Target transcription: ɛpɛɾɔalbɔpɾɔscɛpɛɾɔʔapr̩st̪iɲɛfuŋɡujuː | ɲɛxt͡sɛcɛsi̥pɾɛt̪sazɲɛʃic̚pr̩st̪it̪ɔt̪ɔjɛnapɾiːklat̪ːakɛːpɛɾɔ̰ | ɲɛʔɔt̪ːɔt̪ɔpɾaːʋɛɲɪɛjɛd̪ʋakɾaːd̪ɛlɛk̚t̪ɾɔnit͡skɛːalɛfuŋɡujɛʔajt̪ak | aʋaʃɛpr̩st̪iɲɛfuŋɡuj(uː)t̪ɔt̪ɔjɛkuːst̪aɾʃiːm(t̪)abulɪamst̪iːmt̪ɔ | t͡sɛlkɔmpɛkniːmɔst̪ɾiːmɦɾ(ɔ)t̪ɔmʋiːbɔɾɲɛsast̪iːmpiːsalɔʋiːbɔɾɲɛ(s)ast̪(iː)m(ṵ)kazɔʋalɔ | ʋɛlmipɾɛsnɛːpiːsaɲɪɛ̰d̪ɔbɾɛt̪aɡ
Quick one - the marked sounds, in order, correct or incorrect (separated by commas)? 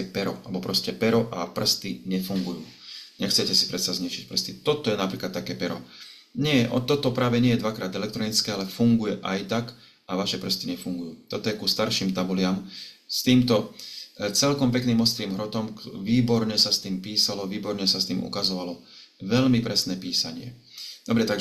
correct, correct, correct, correct, correct, correct